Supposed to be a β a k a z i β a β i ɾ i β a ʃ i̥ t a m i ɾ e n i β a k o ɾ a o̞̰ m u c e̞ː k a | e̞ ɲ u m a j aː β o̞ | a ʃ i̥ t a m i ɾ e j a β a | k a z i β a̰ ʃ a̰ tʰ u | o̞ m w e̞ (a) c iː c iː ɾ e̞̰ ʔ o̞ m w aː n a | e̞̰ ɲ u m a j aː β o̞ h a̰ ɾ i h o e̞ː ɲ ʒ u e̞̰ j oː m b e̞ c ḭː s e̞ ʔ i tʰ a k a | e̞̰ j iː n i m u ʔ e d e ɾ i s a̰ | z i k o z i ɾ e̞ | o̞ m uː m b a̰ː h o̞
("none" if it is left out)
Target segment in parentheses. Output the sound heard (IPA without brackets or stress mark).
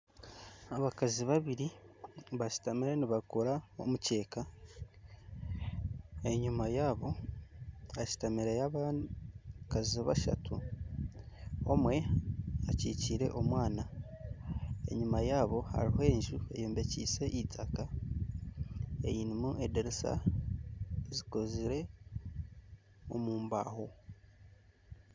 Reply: a